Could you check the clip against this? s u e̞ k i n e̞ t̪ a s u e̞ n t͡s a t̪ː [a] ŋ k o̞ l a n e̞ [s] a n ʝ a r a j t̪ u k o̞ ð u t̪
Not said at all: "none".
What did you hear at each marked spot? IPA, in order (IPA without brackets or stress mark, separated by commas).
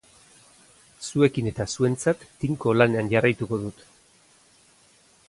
i, none